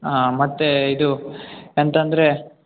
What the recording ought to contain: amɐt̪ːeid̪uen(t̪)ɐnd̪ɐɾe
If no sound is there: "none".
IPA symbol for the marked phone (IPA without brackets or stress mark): t̪